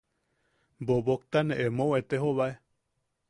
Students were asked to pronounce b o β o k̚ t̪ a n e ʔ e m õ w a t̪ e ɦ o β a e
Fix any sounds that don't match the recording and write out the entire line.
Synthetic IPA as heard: b o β o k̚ t̪ a n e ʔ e m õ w e t̪ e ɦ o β a e

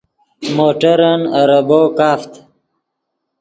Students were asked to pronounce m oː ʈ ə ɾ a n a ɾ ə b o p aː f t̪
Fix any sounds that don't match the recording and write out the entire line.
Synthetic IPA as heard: m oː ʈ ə ɾ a n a ɾ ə b o k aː f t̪

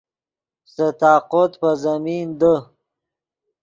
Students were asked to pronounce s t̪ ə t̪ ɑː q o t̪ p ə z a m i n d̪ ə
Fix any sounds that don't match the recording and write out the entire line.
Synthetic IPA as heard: s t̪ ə t̪ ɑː q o t̪ p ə z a m i n d̪ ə

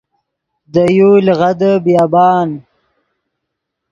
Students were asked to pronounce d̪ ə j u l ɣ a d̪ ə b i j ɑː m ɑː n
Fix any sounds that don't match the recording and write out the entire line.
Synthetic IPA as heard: d̪ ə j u l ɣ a d̪ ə b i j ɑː b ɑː n

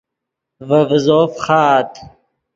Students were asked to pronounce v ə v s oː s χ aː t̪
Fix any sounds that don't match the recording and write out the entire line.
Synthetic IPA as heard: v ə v z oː f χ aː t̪

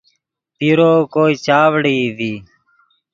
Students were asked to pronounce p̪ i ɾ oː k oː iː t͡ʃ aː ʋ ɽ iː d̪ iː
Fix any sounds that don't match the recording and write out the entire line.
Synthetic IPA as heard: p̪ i ɾ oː k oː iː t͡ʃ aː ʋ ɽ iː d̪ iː

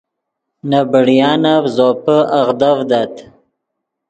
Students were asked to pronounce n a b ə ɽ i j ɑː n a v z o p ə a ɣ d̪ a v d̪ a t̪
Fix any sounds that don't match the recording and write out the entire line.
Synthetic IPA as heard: n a b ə ɽ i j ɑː n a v z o p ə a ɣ d̪ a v d̪ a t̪

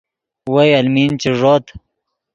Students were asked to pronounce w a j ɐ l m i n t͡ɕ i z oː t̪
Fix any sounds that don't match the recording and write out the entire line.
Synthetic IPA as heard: w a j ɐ l m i n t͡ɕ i ʐ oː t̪

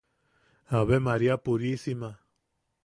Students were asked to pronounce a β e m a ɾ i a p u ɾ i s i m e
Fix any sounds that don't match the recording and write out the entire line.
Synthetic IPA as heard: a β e m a ɾ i a p u ɾ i s i m a

